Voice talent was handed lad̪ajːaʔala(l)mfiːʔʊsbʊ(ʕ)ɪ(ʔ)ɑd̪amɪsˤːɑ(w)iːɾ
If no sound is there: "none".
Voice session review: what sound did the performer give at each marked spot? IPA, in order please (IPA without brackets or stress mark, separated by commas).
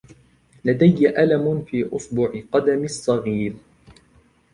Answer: none, ʕ, q, ɣ